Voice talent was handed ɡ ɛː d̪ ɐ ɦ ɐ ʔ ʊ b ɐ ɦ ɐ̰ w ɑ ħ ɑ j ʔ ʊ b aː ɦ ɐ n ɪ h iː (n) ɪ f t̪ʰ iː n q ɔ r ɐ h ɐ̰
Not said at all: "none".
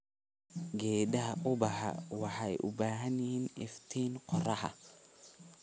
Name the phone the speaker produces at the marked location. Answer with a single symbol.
n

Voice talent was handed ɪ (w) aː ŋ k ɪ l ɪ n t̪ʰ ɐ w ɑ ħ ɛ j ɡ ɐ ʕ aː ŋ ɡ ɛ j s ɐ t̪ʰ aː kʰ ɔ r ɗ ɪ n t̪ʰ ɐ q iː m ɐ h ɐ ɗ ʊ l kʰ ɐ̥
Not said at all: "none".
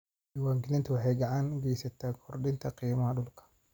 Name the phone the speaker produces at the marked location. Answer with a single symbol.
w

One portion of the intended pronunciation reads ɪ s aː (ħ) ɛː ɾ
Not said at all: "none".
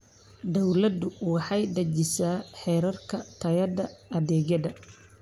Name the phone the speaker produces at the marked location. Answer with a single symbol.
ħ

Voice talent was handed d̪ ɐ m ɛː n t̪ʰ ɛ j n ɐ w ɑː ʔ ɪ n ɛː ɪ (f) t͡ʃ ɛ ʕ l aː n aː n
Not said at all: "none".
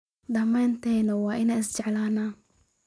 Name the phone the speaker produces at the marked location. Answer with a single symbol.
s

